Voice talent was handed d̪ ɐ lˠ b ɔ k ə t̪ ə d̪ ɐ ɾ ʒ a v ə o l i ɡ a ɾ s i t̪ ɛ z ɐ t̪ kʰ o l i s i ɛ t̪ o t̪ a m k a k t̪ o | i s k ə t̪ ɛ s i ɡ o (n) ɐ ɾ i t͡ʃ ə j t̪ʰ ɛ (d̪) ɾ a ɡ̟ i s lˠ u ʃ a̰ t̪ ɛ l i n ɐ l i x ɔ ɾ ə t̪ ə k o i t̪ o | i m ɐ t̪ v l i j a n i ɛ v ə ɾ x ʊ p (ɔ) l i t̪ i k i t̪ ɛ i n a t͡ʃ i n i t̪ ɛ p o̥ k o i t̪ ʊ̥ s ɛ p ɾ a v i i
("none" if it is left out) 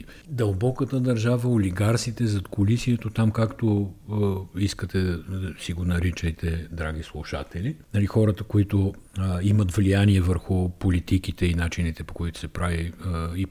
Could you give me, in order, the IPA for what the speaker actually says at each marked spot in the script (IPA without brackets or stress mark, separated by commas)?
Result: n, d̪, o